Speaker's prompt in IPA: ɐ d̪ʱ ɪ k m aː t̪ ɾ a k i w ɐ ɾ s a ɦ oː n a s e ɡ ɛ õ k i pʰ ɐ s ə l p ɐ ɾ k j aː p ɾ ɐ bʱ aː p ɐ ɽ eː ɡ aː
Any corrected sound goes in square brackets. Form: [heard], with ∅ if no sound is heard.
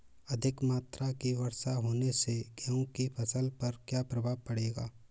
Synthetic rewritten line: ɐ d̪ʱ ɪ k m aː t̪ ɾ a k i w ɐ ɾ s a ɦ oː n [e] s e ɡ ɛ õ k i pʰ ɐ s ə l p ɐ ɾ k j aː p ɾ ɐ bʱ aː p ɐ ɽ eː ɡ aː